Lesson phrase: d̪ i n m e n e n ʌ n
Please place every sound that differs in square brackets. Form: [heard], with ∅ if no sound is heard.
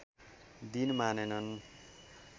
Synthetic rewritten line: d̪ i n m [a] n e n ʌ n